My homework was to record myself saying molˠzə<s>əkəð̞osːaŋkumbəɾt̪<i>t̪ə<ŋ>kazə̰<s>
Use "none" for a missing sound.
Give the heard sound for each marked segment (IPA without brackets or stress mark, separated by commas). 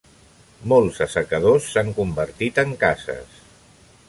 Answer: s, i, ŋ, s